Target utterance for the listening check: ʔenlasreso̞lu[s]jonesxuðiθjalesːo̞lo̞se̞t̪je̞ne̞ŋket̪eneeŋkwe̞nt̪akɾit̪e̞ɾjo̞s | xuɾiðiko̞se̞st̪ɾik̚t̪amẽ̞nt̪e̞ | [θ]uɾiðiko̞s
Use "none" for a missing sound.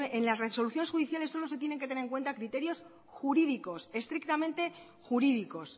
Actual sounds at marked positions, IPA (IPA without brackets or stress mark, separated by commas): θ, x